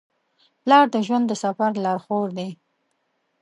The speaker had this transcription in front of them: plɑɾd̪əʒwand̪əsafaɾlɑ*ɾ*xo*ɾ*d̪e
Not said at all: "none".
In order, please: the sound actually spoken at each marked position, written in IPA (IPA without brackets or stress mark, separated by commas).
ɾ, ɾ